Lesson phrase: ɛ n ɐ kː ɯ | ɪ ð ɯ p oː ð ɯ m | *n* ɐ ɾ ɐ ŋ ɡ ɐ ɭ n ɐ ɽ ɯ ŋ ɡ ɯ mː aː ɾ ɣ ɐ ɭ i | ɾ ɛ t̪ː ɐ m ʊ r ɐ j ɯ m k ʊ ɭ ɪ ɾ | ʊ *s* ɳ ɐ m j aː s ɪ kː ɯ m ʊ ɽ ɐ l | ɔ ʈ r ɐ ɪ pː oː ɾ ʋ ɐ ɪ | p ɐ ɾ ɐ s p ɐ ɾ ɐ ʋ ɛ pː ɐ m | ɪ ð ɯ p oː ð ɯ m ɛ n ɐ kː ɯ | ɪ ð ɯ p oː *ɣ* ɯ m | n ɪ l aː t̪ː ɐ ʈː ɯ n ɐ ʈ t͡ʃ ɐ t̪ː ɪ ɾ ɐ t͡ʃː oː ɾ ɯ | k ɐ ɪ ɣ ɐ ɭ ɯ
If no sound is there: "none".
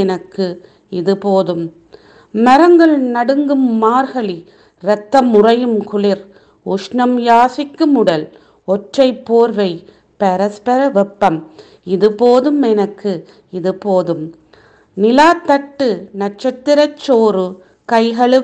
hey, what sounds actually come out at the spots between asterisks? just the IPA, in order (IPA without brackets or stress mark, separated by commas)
m, ʂ, ð